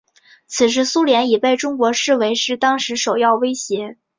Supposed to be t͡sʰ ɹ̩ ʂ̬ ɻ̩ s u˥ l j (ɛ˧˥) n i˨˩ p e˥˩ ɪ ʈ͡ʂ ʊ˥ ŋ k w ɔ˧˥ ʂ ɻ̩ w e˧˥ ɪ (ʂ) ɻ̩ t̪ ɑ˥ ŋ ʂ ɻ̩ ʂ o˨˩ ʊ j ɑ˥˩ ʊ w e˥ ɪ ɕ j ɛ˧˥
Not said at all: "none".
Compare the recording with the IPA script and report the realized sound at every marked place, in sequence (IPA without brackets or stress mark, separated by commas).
ɛ˧˥, ʂ